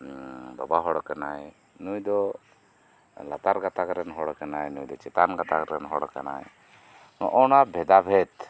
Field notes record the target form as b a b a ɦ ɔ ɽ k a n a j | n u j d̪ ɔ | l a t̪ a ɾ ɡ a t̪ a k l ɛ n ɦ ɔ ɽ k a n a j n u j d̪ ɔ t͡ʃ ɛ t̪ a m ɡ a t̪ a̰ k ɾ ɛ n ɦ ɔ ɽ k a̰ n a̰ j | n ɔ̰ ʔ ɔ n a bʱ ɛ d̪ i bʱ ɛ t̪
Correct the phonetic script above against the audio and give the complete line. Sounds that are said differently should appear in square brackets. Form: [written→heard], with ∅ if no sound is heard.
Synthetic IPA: b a b a ɦ ɔ ɽ k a n a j | n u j d̪ ɔ | l a t̪ a ɾ ɡ a t̪ a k [l→ɾ] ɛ n ɦ ɔ ɽ k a n a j n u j d̪ ɔ t͡ʃ ɛ t̪ a [m→n] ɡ a t̪ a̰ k ɾ ɛ n ɦ ɔ ɽ k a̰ n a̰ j | n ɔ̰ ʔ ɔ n a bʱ ɛ d̪ [i→a] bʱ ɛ t̪